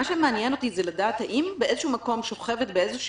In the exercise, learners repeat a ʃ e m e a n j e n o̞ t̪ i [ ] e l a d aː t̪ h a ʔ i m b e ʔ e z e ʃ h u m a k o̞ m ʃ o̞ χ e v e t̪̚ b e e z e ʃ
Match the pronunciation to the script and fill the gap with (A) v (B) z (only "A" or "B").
B